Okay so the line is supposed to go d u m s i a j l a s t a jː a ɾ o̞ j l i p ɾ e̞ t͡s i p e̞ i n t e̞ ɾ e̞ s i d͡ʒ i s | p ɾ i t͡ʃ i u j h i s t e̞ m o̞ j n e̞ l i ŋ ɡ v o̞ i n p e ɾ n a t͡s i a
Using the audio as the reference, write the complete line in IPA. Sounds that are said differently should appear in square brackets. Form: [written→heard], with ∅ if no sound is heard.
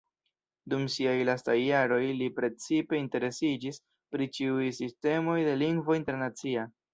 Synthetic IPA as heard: d u m s i a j l a s t a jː a ɾ o̞ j l i p ɾ e̞ t͡s i p e̞ i n t e̞ ɾ e̞ s i d͡ʒ i s | p ɾ i t͡ʃ i u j [h→s] i s t e̞ m o̞ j [n→d] e̞ l i ŋ ɡ v o̞ i n [p→t] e ɾ n a t͡s i a